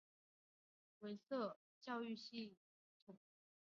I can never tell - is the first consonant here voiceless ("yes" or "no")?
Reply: no